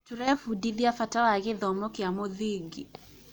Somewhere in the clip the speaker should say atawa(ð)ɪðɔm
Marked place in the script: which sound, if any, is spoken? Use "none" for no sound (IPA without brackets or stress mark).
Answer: ɣ